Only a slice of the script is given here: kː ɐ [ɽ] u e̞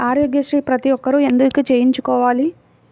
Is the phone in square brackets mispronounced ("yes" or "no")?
yes